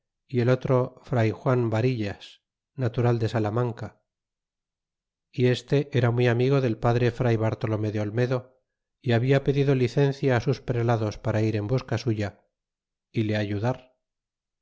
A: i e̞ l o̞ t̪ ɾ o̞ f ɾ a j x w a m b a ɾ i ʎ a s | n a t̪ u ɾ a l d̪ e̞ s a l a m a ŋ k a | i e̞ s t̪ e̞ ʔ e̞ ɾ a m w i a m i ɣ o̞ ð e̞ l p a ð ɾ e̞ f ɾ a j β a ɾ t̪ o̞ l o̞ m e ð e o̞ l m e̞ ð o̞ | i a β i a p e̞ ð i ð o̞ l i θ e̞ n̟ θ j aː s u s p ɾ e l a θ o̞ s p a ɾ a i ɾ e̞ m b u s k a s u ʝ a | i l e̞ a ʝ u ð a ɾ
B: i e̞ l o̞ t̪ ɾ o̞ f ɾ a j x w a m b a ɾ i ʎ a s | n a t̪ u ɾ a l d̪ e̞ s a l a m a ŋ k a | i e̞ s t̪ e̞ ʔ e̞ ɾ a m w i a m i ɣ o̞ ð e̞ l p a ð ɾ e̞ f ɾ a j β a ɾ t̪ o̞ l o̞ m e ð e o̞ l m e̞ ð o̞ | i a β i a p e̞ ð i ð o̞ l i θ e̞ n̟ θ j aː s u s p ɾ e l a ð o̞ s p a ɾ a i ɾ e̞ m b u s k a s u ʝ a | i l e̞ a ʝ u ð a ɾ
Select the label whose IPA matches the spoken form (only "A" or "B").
B